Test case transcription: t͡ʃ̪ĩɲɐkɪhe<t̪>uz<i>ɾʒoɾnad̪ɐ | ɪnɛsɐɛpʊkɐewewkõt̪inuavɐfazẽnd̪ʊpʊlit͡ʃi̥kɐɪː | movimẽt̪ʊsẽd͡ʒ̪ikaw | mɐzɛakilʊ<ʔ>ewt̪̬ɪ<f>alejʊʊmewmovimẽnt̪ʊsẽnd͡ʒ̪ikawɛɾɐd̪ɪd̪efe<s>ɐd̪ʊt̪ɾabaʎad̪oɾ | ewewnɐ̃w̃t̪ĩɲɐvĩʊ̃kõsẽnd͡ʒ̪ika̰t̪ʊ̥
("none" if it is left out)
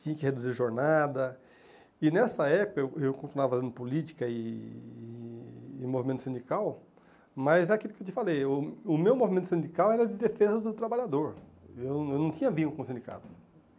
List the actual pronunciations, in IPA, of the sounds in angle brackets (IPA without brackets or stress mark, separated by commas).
d̪, i, k, f, z